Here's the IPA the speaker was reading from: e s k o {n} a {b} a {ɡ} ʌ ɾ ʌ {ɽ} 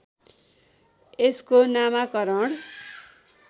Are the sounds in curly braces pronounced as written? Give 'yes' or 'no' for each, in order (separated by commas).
yes, no, no, yes